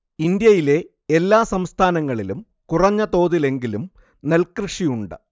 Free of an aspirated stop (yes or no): no